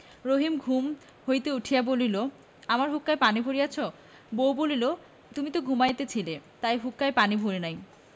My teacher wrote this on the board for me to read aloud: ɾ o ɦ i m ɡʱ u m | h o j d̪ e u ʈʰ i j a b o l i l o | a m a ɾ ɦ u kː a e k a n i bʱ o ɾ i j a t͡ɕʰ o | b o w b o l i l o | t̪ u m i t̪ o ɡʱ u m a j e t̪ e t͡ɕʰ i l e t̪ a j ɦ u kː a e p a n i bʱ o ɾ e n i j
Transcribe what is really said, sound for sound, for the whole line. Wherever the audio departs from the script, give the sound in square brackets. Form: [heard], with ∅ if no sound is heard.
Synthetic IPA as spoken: ɾ o ɦ i m ɡʱ u m | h o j [t̪] e u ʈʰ i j a b o l i l o | a m a ɾ ɦ u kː a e [p] a n i bʱ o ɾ i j a t͡ɕʰ o | b o w b o l i l o | t̪ u m i t̪ o ɡʱ u m a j e t̪ e t͡ɕʰ i l e t̪ a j ɦ u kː a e p a n i bʱ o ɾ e n [a] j